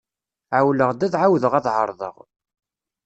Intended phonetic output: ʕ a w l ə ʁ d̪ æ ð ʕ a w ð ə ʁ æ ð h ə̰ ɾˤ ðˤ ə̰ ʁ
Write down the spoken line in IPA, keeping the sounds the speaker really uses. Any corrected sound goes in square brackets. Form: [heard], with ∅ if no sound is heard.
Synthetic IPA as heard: ʕ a w l ə ʁ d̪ æ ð ʕ a w ð ə ʁ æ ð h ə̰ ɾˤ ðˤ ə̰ ʁ